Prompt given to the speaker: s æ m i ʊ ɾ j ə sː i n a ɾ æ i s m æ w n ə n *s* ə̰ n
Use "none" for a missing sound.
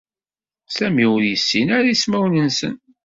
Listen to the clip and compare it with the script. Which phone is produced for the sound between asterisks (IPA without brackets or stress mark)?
s